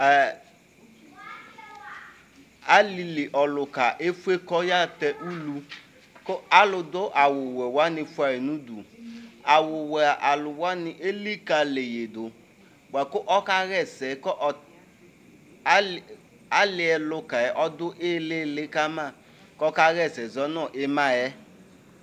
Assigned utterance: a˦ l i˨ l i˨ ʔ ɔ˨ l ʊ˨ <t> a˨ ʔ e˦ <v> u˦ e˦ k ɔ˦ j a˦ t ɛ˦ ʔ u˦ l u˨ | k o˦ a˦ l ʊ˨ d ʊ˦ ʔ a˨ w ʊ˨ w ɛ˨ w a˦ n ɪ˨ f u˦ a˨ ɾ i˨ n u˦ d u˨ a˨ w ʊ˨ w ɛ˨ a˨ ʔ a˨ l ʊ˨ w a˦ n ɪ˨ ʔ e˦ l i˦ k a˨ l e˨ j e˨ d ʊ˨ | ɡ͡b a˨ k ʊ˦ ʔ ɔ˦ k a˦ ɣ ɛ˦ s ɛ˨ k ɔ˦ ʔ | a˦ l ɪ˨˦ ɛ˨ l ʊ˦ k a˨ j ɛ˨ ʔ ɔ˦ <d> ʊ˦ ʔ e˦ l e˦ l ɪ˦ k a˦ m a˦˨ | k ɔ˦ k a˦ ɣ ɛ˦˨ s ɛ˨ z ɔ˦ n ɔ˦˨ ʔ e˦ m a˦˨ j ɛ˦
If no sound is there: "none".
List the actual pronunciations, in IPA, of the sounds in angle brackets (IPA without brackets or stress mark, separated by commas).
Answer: k, f, d